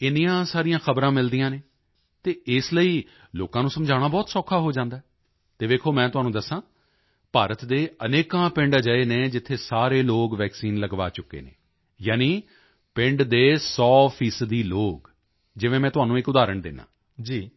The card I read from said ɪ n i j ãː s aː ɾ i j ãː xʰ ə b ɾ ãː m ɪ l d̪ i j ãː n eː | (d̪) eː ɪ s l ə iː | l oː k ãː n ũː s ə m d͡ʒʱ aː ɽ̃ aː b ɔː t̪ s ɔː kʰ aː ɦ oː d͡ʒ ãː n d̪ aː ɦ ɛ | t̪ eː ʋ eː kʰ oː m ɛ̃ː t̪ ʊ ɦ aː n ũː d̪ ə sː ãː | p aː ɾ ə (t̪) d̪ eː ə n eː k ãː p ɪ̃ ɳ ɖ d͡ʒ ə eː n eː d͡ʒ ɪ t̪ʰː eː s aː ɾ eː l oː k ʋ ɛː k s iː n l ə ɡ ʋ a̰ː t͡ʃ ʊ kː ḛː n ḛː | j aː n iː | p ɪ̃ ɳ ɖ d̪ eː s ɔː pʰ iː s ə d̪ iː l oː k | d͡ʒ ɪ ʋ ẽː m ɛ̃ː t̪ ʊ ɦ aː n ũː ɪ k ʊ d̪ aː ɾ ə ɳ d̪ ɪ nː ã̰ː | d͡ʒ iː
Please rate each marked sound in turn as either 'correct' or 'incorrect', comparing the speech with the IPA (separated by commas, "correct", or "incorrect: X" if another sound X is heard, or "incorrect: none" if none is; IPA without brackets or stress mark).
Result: incorrect: t̪, correct